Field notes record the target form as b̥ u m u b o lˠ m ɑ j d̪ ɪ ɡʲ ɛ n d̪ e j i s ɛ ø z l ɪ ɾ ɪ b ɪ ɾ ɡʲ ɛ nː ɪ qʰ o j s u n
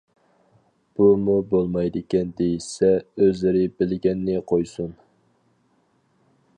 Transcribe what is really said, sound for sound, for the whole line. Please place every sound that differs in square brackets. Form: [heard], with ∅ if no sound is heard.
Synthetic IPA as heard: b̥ u m u b o lˠ m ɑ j d̪ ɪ [kʲ] ɛ n d̪ e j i s ɛ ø z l ɪ ɾ ɪ b ɪ [l] ɡʲ ɛ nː ɪ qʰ o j s u n